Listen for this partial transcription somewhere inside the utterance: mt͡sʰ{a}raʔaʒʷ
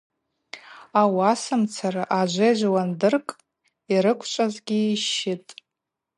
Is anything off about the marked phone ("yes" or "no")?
no